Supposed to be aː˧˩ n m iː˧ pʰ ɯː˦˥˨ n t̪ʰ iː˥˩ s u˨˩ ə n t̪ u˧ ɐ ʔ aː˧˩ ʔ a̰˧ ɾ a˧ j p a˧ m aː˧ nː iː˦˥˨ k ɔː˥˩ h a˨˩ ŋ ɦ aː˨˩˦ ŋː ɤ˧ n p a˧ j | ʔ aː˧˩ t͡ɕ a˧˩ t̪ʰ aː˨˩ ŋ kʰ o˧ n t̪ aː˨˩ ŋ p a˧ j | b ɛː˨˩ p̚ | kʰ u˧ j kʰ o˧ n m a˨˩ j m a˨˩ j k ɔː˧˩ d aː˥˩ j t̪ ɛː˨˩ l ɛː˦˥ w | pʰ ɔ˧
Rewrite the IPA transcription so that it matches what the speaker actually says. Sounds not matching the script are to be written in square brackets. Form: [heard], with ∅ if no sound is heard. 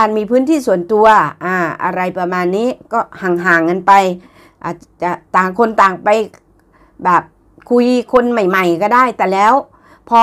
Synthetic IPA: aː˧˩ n m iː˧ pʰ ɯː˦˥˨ n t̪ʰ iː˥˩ s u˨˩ ə n t̪ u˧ ɐ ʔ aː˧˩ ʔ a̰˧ ɾ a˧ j p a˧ m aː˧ nː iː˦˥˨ k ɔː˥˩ h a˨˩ ŋ ɦ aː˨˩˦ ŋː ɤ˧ n p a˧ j | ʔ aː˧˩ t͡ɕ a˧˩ [t̪] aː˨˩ ŋ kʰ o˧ n t̪ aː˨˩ ŋ p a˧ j | b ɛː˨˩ p̚ | kʰ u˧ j kʰ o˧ n m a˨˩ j m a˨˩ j k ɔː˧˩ d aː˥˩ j t̪ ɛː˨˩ l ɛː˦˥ w | pʰ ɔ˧